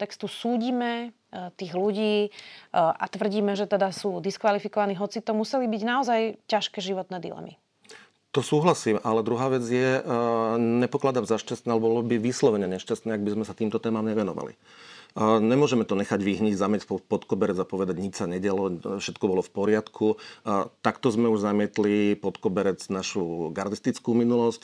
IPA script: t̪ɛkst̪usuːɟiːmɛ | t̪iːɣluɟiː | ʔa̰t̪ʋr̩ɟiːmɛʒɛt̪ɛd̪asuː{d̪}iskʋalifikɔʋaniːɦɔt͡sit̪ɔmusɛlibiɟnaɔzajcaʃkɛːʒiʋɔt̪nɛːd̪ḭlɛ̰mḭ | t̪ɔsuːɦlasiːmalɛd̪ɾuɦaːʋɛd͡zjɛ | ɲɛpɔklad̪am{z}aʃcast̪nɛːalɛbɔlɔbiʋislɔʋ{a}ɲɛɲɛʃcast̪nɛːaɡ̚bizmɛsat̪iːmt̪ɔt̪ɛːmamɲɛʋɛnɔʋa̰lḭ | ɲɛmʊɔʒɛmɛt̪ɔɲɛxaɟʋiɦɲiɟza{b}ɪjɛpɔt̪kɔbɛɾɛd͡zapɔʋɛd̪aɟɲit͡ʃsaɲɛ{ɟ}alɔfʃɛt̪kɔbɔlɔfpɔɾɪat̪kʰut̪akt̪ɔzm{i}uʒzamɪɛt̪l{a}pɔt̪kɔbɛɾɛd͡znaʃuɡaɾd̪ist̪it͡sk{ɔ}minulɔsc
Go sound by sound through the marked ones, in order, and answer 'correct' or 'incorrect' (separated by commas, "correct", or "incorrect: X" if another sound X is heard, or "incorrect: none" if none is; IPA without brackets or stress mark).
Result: correct, correct, incorrect: ɛ, incorrect: m, correct, incorrect: ɛ, incorrect: i, incorrect: u